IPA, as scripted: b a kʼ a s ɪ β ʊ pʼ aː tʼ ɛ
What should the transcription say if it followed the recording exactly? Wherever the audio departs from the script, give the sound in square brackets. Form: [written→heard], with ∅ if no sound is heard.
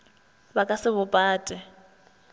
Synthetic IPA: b a kʼ a s ɪ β ʊ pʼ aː tʼ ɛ